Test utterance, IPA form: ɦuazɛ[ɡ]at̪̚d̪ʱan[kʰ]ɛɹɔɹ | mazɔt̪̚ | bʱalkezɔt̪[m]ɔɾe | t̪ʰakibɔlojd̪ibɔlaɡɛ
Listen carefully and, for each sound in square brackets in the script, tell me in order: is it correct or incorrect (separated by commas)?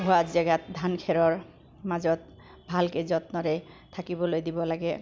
correct, correct, incorrect